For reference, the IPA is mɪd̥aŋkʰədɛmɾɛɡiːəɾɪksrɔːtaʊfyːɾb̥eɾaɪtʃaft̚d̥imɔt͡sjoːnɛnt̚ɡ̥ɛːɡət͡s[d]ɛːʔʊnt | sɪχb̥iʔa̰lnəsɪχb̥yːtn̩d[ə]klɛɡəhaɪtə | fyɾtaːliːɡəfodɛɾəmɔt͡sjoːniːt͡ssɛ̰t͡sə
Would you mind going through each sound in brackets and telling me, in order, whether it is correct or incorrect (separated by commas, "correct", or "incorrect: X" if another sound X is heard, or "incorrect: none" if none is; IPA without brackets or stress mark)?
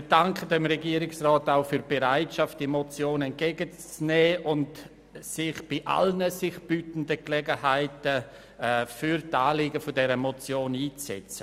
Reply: incorrect: n, correct